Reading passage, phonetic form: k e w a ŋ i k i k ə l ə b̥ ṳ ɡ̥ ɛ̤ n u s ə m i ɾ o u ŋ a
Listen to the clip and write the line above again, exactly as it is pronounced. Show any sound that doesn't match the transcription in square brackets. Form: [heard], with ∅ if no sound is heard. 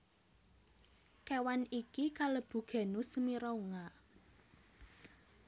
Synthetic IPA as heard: k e w a [n] i k i k [a] l ə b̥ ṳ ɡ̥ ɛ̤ n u s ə m i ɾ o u ŋ a